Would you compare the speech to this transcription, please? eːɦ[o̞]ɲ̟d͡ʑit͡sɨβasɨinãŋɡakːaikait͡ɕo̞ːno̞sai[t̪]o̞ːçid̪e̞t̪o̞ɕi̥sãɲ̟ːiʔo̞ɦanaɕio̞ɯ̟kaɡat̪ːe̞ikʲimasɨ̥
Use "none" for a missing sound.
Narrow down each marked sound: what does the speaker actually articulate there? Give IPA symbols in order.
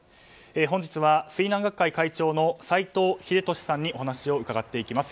õ̞, t̪

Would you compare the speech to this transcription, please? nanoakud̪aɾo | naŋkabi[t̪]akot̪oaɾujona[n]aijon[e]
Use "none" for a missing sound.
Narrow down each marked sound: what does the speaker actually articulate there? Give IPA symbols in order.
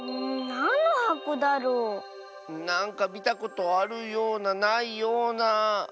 t̪, n, a

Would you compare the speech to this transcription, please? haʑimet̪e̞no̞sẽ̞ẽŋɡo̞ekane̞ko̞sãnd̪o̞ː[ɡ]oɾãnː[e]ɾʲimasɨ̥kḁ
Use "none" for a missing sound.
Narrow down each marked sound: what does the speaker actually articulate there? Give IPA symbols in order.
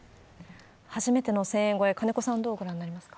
ɡ, a

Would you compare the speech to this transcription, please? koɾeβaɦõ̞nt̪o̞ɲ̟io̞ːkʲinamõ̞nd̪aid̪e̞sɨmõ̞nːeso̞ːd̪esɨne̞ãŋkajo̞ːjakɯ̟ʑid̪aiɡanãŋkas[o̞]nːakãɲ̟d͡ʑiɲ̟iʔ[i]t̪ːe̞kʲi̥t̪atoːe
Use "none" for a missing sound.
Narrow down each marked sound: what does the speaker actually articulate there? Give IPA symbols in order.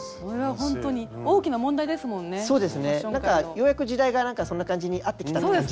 o̞, a

